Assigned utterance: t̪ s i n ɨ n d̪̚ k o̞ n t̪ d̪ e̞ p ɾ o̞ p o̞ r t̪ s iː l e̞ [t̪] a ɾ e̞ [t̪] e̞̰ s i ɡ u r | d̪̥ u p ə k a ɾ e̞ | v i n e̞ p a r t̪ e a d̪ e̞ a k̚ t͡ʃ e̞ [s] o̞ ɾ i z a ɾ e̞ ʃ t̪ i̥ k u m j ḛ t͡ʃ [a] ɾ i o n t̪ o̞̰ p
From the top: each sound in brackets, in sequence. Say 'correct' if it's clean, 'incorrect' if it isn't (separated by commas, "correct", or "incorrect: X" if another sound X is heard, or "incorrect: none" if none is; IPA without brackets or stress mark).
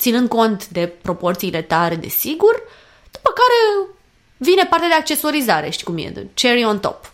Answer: correct, incorrect: d̪, correct, incorrect: e